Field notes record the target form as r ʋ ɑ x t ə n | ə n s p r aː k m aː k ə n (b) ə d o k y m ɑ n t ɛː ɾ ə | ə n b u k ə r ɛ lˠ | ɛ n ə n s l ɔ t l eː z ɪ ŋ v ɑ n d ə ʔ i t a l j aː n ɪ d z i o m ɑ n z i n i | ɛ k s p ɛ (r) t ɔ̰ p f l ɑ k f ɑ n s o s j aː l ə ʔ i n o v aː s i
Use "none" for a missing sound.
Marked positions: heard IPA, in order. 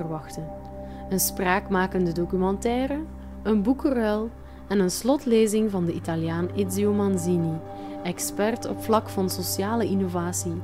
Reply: d, r

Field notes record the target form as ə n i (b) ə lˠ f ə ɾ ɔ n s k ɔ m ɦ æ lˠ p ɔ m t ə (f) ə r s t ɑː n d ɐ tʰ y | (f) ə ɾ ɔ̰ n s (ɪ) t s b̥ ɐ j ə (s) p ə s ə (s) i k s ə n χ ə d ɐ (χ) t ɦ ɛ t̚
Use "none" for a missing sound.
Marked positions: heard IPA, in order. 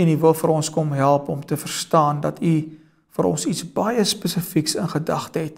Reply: v, f, f, i, s, f, χ

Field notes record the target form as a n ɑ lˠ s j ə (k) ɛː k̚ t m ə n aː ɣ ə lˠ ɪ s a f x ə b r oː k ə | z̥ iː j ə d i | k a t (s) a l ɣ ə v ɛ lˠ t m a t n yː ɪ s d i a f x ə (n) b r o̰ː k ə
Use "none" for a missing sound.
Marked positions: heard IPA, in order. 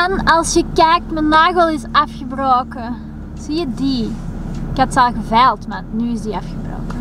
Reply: k, s, none

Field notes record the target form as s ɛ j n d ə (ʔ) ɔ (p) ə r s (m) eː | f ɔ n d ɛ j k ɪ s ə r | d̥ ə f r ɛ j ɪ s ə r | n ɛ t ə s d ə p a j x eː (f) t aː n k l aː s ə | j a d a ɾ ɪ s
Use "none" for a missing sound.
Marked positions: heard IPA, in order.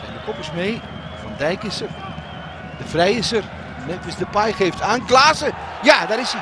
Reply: k, p, m, f

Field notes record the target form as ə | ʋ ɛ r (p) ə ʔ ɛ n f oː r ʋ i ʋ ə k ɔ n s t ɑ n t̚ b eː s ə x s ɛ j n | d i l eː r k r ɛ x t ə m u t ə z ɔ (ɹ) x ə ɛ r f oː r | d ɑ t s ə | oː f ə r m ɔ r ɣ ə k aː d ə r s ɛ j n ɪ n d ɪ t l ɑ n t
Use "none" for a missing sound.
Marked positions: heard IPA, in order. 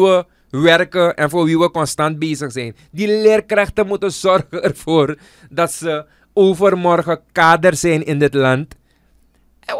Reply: k, r

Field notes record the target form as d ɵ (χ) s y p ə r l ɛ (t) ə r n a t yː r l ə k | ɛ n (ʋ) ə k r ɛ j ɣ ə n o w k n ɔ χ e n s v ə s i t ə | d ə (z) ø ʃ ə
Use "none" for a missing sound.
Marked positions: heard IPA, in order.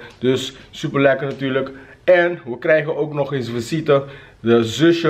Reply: s, k, ʋ, z

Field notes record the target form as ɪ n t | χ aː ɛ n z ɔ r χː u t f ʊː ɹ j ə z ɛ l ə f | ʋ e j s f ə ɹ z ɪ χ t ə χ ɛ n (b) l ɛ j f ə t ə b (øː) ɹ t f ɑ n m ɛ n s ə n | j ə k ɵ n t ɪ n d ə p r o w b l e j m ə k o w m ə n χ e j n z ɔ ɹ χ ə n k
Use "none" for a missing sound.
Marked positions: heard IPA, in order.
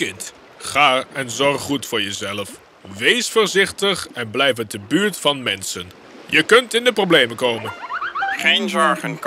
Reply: b, yː

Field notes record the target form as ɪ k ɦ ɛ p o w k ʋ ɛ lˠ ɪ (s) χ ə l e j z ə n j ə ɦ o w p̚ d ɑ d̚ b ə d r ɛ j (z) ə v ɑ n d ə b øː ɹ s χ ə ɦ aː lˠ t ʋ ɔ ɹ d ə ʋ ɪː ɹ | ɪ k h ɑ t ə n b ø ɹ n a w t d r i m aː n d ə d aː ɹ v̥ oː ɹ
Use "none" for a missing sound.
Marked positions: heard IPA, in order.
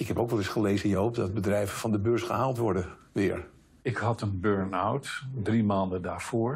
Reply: s, v

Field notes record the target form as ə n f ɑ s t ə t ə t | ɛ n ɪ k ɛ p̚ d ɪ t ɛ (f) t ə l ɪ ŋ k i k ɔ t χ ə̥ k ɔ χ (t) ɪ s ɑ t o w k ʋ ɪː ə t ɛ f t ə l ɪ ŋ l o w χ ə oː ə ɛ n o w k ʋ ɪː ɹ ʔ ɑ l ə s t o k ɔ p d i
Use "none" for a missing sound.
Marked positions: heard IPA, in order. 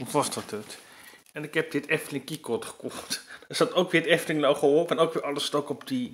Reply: f, t

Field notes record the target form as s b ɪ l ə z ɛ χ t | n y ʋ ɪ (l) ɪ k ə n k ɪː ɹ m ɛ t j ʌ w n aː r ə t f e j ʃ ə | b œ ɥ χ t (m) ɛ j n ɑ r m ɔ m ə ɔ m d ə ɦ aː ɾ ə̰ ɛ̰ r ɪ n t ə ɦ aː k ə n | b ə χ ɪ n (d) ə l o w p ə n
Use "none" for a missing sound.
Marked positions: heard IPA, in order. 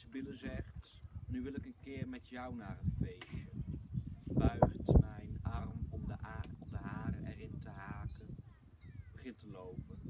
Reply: l, m, t

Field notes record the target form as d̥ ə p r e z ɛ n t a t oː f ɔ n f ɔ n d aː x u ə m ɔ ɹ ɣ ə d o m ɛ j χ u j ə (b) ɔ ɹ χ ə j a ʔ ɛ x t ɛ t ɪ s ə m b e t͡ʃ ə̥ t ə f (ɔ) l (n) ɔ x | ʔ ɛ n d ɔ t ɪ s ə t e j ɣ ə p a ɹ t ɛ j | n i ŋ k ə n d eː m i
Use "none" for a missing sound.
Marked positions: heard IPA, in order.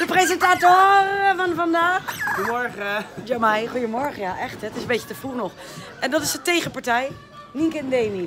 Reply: m, u, n

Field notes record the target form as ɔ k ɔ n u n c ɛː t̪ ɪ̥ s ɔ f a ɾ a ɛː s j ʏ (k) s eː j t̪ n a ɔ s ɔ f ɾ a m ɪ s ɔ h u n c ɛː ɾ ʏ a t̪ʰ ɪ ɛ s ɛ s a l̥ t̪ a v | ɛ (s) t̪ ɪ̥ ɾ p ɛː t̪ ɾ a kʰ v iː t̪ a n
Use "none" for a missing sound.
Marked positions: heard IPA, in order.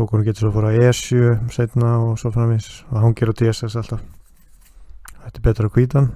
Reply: none, h

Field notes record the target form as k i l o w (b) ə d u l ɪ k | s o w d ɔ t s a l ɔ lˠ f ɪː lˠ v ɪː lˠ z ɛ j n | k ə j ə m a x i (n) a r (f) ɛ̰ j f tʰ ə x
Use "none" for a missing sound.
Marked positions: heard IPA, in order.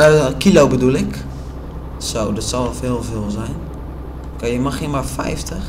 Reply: b, m, f

